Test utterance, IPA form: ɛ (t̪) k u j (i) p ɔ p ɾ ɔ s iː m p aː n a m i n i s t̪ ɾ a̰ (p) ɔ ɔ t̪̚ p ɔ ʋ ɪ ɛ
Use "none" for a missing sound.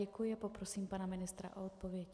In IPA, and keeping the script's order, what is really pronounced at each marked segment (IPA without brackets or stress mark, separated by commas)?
none, ɛ, ʔ